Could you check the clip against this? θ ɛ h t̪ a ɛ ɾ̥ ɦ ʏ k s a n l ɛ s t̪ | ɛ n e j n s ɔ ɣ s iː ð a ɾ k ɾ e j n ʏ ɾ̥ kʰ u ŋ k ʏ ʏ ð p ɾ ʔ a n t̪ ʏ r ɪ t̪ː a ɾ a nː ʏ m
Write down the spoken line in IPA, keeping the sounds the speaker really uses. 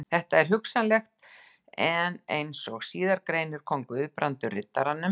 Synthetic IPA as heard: θ ɛ h t̪ a ɛ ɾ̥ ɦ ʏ k s a n l ɛ x t̪ | ɛ n e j n s ɔ ɣ s iː ð a ɾ k ɾ e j n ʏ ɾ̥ kʰ ɔ ŋ k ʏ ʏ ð p ɾ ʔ a n t̪ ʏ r ɪ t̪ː a ɾ a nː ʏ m